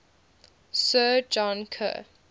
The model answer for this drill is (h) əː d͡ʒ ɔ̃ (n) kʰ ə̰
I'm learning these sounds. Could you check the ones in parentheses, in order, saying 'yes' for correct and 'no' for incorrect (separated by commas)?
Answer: no, yes